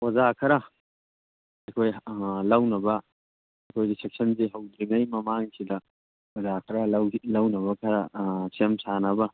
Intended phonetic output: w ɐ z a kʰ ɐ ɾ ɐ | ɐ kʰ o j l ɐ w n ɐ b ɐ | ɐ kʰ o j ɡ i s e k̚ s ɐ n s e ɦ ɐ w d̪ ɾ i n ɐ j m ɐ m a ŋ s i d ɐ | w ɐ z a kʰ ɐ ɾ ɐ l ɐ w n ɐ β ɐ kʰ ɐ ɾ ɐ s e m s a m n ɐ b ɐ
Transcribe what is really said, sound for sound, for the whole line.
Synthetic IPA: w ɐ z a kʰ ɐ ɾ ɐ | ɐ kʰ o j l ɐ w n ɐ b ɐ | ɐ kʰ o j ɡ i s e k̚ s ɐ n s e ɦ ɐ w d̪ ɾ i n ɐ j m ɐ m a ŋ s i d ɐ | w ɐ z a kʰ ɐ ɾ ɐ l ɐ w n ɐ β ɐ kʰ ɐ ɾ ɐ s e m s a n ɐ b ɐ